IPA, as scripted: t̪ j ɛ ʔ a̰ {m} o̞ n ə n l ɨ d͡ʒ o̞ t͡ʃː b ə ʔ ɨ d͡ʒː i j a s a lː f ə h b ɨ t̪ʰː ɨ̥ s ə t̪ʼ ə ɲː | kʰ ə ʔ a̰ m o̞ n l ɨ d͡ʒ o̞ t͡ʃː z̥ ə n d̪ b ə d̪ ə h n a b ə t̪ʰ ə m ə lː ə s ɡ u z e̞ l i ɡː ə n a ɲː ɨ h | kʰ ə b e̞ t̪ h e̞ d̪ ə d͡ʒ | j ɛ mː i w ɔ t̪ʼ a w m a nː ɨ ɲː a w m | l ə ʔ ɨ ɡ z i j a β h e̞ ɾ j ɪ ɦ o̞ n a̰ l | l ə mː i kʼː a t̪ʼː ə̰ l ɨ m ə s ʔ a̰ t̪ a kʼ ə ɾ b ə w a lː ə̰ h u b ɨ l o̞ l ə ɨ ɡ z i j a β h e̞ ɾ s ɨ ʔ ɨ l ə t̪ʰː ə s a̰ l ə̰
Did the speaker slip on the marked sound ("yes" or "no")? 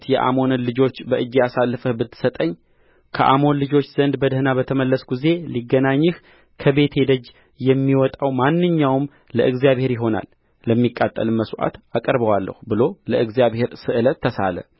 no